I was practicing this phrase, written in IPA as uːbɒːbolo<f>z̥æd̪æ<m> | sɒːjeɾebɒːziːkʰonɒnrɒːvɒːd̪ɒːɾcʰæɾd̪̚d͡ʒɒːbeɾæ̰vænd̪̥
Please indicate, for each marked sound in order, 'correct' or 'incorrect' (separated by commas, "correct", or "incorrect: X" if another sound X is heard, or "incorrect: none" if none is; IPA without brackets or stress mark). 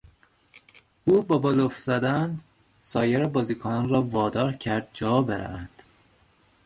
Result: correct, incorrect: n